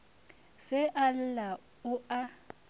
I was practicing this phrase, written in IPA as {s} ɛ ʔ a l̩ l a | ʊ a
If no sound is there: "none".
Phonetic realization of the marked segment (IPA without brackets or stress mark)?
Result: s